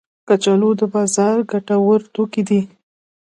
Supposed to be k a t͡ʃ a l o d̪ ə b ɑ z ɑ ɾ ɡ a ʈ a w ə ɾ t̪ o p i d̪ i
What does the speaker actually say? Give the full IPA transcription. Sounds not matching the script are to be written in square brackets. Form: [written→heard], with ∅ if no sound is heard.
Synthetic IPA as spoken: k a t͡ʃ a l o d̪ ə b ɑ z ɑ ɾ ɡ a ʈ a w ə ɾ t̪ o [p→k] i d̪ i